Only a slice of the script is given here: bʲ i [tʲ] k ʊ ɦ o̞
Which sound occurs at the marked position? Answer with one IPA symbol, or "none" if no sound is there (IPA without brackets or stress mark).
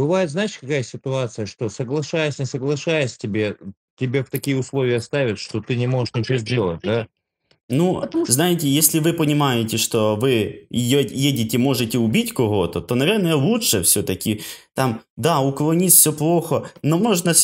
tʲ